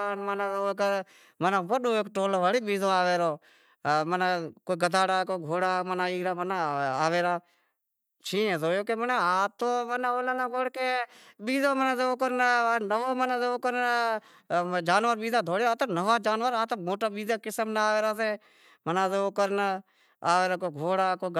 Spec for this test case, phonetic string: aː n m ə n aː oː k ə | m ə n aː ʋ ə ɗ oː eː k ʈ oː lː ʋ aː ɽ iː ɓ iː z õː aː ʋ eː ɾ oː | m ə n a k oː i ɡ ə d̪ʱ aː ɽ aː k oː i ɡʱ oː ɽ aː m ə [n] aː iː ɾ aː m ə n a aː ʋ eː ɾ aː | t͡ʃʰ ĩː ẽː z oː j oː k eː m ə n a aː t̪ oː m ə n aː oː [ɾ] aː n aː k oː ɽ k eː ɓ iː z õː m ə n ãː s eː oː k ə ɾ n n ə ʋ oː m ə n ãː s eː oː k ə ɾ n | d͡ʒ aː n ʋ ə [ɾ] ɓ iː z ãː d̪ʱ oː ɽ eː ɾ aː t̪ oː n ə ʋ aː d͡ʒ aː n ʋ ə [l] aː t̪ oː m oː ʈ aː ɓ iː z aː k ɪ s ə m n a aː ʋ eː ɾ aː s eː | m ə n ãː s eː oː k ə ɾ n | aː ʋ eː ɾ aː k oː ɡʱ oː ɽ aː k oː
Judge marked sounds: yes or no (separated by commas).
yes, no, yes, no